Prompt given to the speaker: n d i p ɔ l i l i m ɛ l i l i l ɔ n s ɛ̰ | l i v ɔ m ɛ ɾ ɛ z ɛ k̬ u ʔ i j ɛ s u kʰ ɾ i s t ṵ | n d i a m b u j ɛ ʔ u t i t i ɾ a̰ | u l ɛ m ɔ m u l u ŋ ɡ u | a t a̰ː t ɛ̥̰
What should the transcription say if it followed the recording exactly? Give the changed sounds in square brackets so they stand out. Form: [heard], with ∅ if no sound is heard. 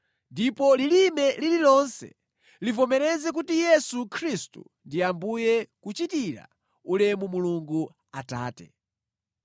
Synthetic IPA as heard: n d i p ɔ l i l i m ɛ l i l i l ɔ n s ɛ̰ | l i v ɔ m ɛ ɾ ɛ z ɛ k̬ u [t] i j ɛ s u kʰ ɾ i s t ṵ | n d i a m b u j ɛ [k] u [t͡ʃ] i t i ɾ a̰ | u l ɛ m [u] m u l u ŋ ɡ u | a t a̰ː t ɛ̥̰

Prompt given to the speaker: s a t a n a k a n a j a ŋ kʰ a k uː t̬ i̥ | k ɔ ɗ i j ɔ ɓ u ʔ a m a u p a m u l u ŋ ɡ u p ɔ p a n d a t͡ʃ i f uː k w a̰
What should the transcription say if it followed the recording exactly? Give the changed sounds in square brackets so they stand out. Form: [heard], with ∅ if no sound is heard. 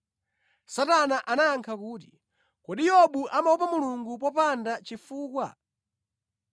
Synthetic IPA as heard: s a t a n a [ʔ] a n a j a ŋ kʰ a k uː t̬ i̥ | k ɔ ɗ i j ɔ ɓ u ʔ a m a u p a m u l u ŋ ɡ u p ɔ p a n d a t͡ʃ i f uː k w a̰

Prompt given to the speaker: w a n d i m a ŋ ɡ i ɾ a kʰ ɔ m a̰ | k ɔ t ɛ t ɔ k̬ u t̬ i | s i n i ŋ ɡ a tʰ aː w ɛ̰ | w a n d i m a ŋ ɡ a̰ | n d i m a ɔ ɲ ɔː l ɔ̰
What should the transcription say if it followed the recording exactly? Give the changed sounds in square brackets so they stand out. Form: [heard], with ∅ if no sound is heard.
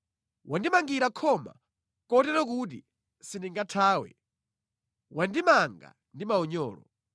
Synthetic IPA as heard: w a n d i m a ŋ ɡ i ɾ a kʰ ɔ m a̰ | k ɔ t ɛ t ɔ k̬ u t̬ i | s i n i ŋ ɡ a tʰ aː w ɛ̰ | w a n d i m a ŋ ɡ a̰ | n d i m a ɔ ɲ ɔː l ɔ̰

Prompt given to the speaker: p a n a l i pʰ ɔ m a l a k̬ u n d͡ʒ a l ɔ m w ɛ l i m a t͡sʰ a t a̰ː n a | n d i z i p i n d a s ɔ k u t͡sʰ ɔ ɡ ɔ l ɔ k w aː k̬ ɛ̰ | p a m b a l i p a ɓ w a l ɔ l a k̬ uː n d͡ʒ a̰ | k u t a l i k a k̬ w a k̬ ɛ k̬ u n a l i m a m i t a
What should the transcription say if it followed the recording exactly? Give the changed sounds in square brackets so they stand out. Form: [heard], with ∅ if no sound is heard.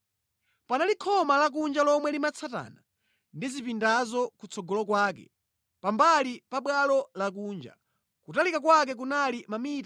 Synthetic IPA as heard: p a n a l i [kʰ] ɔ m a l a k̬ u n d͡ʒ a l ɔ m w ɛ l i m a t͡sʰ a t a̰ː n a | n d i z i p i n d a [z] ɔ k u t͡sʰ ɔ ɡ ɔ l ɔ k w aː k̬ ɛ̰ | p a m b a l i p a ɓ w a l ɔ l a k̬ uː n d͡ʒ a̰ | k u t a l i k a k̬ w a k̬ ɛ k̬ u n a l i m a m i t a

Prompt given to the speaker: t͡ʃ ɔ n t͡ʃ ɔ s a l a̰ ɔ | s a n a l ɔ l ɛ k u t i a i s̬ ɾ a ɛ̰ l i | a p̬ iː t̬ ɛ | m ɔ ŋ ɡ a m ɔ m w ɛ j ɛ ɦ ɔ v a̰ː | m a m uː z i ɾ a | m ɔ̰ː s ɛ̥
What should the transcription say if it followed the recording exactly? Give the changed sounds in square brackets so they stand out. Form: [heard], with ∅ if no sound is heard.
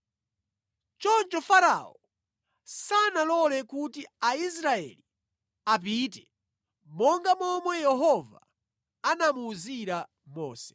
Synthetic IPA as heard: t͡ʃ ɔ n t͡ʃ ɔ [f] a [ɾ] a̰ ɔ | s a n a l ɔ l ɛ k u t i a i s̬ ɾ a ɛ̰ l i | a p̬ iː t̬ ɛ | m ɔ ŋ ɡ a m ɔ m w ɛ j ɛ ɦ ɔ v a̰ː | [n] a m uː z i ɾ a | m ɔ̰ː s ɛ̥

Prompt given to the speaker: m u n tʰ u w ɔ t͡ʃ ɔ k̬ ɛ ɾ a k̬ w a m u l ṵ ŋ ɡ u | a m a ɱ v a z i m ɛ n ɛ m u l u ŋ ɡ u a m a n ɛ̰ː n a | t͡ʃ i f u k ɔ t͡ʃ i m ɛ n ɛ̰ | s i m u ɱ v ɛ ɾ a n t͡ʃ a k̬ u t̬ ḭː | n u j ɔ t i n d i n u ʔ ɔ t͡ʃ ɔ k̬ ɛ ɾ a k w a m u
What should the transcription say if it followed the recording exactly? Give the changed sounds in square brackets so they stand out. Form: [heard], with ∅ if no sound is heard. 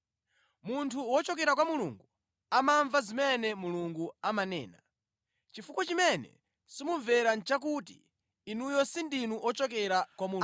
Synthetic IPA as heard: m u n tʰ u w ɔ t͡ʃ ɔ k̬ ɛ ɾ a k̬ w a m u l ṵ ŋ ɡ u | a m a ɱ v a z i m ɛ n ɛ m u l u ŋ ɡ u a m a n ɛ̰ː n a | t͡ʃ i f u k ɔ t͡ʃ i m ɛ n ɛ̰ | s i m u ɱ v ɛ ɾ a n t͡ʃ a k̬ u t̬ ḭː | n u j ɔ [s] i n d i n u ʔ ɔ t͡ʃ ɔ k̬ ɛ ɾ a k w a m u

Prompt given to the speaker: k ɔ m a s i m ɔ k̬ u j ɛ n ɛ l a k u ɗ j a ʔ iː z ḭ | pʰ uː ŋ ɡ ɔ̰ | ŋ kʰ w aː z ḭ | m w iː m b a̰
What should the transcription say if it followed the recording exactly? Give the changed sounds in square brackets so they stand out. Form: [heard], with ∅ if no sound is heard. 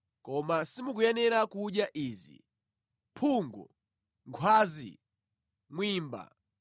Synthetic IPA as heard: k ɔ m a s i m [u] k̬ u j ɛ n ɛ [ɾ] a k u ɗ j a ʔ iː z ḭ | pʰ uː ŋ ɡ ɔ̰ | ŋ kʰ w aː z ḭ | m w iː m b a̰

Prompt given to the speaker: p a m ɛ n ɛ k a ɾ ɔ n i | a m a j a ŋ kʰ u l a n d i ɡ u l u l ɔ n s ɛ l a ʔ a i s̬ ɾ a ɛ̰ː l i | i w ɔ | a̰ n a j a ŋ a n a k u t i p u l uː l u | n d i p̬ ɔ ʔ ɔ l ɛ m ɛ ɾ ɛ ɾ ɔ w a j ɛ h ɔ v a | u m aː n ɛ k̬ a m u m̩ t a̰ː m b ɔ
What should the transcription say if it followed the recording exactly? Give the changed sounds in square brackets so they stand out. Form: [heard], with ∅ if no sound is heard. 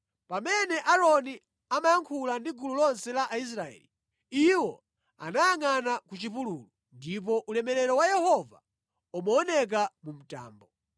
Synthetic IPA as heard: p a m ɛ n ɛ [ʔ] a ɾ ɔ n i | a m a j a ŋ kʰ u l a n d i ɡ u l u l ɔ n s ɛ l a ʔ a i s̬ ɾ a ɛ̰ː l i | i w ɔ | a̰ n a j a ŋ a n a k u [t͡ʃ] i p u l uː l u | n d i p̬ ɔ ʔ [u] l ɛ m ɛ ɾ ɛ ɾ ɔ w a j ɛ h ɔ v a | u m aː n ɛ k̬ a m u m̩ t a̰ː m b ɔ

